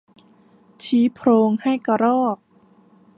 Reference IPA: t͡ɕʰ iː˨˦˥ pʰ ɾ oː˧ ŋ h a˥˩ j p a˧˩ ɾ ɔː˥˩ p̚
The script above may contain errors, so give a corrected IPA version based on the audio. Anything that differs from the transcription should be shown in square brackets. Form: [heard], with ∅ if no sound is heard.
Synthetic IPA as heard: t͡ɕʰ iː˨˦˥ pʰ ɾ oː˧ ŋ h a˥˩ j [k] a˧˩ ɾ ɔː˥˩ [k̚]